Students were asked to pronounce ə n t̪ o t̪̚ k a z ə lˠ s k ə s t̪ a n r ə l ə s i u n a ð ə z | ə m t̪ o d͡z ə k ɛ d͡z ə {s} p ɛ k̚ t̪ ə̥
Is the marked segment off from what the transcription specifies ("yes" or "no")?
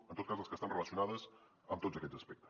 no